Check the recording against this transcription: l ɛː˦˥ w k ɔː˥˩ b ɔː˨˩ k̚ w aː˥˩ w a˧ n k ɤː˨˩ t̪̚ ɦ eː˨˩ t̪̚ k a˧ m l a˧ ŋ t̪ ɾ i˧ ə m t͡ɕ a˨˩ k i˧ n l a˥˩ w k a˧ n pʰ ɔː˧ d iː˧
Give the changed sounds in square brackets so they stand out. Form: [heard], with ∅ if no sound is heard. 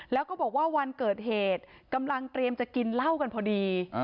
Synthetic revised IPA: l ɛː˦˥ w k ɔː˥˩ b ɔː˨˩ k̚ w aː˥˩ w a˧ n k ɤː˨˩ t̪̚ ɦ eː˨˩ t̪̚ k a˧ m l a˧ ŋ t̪ ɾ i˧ ə m t͡ɕ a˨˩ k i˧ n l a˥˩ w k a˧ n pʰ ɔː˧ d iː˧